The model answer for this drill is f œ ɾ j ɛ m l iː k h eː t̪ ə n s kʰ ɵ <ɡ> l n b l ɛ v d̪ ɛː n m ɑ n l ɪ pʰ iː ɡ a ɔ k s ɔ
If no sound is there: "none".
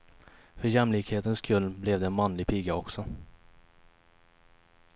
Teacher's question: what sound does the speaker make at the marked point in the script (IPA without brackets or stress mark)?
none